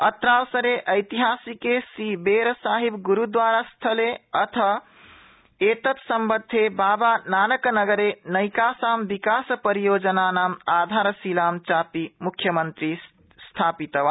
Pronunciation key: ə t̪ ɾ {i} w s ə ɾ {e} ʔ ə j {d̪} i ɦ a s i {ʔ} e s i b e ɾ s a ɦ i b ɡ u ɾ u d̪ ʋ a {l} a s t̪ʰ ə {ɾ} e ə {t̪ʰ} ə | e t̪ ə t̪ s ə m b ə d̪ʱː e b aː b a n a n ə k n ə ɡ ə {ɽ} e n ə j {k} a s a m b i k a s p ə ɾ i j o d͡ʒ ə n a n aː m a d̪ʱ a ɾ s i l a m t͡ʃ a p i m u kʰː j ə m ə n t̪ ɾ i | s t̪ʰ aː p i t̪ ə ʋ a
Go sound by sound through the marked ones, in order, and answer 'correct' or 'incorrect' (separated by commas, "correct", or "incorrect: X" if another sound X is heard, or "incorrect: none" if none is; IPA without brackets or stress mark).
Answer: incorrect: a, correct, incorrect: t̪, incorrect: k, incorrect: ɾ, incorrect: l, correct, incorrect: ɾ, correct